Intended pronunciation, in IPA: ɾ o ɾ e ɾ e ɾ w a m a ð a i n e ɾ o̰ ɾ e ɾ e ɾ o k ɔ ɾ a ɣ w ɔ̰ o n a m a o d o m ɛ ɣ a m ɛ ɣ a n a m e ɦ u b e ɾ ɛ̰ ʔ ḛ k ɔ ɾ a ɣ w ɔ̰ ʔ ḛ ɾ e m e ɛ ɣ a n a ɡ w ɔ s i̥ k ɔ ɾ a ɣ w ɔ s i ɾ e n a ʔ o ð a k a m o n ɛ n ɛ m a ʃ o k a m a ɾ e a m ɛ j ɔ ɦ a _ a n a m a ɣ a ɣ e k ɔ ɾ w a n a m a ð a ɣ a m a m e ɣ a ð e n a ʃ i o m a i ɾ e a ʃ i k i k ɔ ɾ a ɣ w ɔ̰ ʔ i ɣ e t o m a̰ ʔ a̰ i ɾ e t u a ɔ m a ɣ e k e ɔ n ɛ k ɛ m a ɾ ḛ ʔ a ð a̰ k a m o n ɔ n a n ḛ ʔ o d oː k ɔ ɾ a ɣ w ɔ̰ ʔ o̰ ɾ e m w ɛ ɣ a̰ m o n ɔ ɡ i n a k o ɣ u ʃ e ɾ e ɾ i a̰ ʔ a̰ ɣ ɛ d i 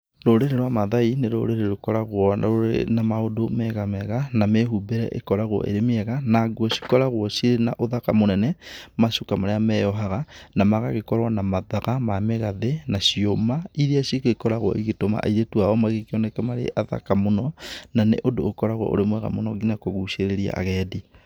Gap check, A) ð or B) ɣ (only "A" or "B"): B